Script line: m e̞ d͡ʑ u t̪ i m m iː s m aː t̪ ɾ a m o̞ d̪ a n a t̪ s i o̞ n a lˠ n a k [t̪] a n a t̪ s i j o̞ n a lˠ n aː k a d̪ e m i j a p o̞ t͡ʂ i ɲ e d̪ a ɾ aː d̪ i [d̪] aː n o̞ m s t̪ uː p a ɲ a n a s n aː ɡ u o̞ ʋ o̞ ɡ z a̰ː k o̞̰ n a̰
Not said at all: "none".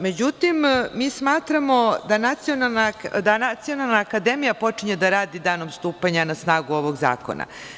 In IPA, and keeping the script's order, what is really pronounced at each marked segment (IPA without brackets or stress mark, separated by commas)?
d̪, d̪